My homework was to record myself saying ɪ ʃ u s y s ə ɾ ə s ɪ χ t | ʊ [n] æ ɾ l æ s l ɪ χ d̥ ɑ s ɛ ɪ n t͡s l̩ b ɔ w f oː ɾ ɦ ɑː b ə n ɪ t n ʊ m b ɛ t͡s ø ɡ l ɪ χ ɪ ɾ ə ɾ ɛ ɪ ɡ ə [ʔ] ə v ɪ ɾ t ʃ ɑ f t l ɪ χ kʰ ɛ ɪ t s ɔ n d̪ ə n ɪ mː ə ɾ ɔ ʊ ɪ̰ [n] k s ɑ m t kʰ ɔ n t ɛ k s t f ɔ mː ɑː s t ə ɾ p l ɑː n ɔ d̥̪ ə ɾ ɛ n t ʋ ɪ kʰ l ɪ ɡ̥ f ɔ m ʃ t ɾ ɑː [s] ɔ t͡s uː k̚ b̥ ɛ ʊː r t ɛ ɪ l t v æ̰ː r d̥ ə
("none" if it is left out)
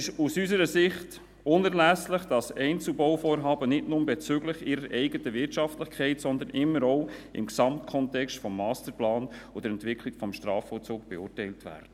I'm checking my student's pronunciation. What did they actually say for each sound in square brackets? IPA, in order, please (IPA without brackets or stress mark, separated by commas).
n, t, m, f